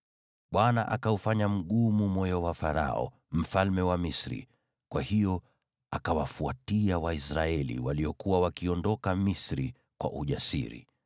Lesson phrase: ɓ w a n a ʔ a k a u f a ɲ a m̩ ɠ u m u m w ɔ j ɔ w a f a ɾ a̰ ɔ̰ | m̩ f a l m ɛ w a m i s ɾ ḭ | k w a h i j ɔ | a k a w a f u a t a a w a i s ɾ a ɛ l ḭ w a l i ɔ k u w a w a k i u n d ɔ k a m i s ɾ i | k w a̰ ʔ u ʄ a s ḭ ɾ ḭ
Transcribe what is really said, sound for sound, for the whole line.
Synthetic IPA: ɓ w a n a ʔ a k a u f a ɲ a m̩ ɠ u m u m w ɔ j ɔ w a f a ɾ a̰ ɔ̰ | m̩ f a l m ɛ w a m i s ɾ ḭ | k w a h i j ɔ | a k a w a f u a t i a w a i s ɾ a ɛ l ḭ w a l i ɔ k u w a w a k i ɔ n d ɔ k a m i s ɾ i | k w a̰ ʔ u ʄ a s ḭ ɾ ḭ